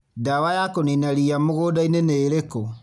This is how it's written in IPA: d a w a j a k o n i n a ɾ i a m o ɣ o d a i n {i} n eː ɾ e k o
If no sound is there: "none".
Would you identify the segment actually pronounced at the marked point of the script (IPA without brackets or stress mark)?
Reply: e